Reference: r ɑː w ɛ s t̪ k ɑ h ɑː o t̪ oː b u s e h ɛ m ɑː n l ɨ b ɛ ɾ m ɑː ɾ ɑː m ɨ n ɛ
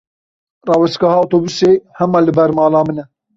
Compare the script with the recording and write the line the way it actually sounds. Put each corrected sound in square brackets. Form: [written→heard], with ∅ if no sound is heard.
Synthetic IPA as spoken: r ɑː w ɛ s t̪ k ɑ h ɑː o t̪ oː b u s e h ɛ m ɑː [n→∅] l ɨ b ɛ ɾ m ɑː [ɾ→l] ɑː m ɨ n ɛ